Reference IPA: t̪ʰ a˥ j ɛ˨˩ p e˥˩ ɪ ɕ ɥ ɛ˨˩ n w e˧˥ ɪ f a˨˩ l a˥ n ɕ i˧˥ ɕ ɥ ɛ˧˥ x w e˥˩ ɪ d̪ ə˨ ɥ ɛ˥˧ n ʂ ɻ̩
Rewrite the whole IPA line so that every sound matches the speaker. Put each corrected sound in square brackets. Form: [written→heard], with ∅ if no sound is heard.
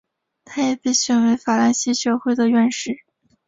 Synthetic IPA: t̪ʰ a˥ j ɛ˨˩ p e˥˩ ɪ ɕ ɥ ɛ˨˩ n w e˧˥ ɪ f a˨˩ l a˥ n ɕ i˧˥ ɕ ɥ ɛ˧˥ x w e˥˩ ɪ d̪ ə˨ ɥ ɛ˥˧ n ʂ ɻ̩